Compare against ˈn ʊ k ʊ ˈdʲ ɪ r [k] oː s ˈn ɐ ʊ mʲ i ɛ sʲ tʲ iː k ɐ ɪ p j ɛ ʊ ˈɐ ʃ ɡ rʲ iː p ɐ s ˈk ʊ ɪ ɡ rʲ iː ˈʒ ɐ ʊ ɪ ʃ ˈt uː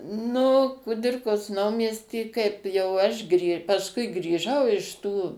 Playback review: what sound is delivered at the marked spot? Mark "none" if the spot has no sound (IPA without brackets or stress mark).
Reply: k